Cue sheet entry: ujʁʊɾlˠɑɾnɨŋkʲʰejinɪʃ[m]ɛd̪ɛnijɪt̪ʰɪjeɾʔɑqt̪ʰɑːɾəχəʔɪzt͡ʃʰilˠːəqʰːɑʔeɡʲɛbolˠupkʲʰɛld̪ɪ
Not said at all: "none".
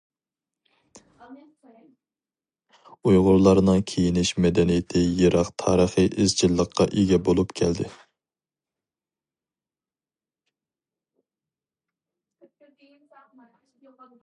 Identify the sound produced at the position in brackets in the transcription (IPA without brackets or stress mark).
m